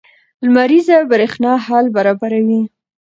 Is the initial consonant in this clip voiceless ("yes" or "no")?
no